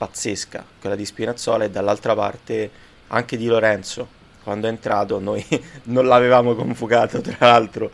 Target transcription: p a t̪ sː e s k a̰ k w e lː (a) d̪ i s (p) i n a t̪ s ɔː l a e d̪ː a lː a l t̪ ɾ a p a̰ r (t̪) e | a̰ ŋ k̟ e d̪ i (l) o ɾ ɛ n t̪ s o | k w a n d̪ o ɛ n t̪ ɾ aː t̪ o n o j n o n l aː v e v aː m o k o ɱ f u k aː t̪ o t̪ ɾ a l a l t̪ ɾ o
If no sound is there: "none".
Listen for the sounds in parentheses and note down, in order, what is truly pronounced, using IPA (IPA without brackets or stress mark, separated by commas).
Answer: a, p, t̪, l